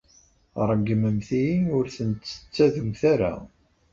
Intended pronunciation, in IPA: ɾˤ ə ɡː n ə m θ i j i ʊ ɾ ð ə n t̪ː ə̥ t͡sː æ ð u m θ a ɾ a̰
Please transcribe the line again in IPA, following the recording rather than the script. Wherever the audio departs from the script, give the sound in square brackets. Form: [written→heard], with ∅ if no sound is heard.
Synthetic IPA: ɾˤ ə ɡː [n→m] ə m θ i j i ʊ ɾ [ð→θ] ə n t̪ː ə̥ t͡sː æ ð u m θ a ɾ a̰